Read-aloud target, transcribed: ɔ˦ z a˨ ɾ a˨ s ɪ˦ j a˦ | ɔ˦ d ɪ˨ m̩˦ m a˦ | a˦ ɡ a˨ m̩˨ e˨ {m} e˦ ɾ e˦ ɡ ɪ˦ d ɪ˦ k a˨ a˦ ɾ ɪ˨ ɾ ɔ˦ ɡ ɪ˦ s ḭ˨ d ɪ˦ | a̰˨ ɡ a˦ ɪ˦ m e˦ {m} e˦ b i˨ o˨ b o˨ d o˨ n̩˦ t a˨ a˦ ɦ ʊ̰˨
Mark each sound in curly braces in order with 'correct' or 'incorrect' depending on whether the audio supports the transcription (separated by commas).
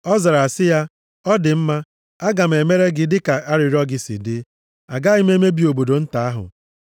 correct, correct